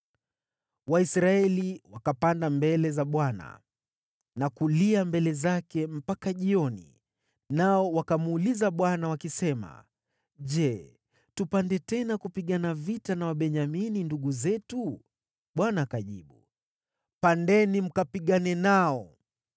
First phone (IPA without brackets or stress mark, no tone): w